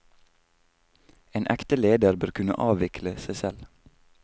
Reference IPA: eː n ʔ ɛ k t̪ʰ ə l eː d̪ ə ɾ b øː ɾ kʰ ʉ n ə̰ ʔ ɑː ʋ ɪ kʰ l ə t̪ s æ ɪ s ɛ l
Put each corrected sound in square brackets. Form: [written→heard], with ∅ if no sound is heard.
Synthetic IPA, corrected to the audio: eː n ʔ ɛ k [t̪ʰ→t̪] ə l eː d̪ ə ɾ b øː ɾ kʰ ʉ n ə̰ ʔ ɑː ʋ ɪ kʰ l ə [t̪→∅] s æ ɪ s ɛ l